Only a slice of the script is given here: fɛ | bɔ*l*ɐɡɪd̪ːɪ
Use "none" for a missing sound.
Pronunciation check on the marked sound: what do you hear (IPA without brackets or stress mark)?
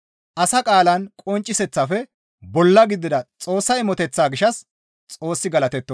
lː